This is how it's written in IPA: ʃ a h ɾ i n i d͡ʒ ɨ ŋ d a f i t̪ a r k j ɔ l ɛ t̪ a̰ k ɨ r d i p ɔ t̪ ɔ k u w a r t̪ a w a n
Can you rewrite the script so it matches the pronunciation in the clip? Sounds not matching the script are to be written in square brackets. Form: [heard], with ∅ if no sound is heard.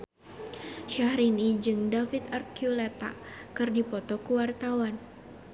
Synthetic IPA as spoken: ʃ a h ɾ i n i d͡ʒ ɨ ŋ d a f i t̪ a r k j [u] l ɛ t̪ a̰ k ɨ r d i p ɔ t̪ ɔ k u w a r t̪ a w a n